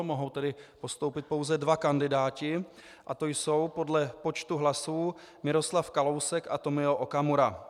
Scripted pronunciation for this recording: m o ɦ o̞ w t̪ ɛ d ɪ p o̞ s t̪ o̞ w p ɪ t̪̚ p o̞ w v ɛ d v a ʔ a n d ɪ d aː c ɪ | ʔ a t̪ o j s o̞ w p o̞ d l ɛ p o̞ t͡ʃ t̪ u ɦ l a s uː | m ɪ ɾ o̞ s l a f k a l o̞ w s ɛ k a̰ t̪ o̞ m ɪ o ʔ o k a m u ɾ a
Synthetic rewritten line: m o ɦ o̞ w t̪ ɛ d ɪ p o̞ s t̪ o̞ w p ɪ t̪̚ p o̞ w z ɛ d v a k a n d ɪ d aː c ɪ | ʔ a t̪ o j s o̞ w p o̞ d l ɛ p o̞ t͡ʃ t̪ u ɦ l a s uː | m ɪ ɾ o̞ s l a f k a l o̞ w s ɛ k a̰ t̪ o̞ m ɪ o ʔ o k a m u ɾ a